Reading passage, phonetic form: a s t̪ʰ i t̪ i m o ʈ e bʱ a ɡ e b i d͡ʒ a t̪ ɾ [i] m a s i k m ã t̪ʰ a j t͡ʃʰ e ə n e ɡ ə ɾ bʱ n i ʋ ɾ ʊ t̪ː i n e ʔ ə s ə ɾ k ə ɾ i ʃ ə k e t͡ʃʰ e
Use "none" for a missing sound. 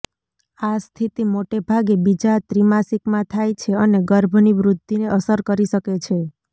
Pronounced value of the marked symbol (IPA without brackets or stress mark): i